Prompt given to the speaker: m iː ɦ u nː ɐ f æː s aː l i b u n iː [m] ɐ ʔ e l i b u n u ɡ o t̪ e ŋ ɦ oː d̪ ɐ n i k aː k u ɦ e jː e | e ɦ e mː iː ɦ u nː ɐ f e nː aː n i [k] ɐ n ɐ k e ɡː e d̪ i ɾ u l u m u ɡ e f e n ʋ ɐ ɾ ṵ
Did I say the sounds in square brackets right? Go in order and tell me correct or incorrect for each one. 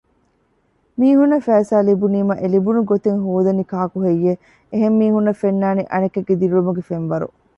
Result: correct, incorrect: ʔ

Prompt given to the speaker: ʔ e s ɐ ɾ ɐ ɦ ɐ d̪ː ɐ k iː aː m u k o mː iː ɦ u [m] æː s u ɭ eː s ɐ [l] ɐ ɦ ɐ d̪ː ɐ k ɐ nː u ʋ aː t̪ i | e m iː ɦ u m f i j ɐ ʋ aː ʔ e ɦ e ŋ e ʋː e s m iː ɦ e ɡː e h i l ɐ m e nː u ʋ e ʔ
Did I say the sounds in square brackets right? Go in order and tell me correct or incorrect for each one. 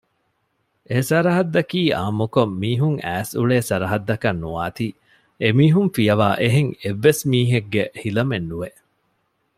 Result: incorrect: ŋ, incorrect: ɾ

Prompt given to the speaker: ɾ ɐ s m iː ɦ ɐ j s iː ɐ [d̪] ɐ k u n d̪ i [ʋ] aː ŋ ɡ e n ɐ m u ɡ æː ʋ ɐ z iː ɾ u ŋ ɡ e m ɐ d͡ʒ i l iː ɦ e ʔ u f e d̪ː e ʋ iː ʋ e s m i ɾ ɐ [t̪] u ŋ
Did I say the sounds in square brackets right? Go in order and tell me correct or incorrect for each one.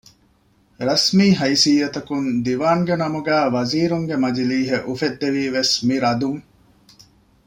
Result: incorrect: t̪, correct, incorrect: d̪

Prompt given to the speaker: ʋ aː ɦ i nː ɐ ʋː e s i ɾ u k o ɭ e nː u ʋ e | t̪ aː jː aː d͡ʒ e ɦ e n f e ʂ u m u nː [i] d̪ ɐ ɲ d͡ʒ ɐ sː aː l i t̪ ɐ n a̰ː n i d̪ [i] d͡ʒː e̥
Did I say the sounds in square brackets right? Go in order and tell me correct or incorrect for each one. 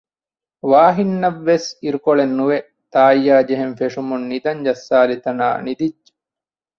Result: correct, correct

